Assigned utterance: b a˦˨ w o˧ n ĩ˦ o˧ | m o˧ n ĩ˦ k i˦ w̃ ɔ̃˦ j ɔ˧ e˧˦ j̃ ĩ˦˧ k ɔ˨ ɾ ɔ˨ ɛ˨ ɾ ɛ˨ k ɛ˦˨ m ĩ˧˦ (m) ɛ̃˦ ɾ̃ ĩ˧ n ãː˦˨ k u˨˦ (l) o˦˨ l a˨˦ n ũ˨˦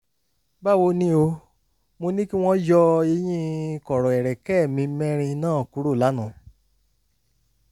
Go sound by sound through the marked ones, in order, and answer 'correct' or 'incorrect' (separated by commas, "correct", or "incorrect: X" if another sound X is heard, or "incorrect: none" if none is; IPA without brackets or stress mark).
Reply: correct, incorrect: ɾ